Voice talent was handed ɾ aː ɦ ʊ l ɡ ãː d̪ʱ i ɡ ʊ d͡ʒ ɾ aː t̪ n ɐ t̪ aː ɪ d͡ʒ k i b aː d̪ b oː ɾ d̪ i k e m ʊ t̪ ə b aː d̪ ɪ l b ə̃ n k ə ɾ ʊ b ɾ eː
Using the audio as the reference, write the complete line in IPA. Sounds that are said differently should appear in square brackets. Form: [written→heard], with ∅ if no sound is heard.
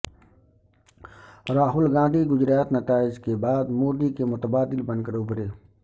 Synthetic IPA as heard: ɾ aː ɦ ʊ l ɡ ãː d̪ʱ i ɡ ʊ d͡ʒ ɾ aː t̪ n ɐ t̪ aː ɪ d͡ʒ k [i→e] b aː d̪ [b→m] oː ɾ d̪ i k e m ʊ t̪ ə b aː d̪ ɪ l b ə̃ n k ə ɾ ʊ b ɾ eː